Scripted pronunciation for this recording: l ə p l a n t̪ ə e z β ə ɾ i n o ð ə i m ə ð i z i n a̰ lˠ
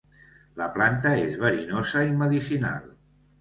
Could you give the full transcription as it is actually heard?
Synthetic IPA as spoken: l ə p l a n t̪ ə e z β ə ɾ i n o z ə i m ə ð i s i n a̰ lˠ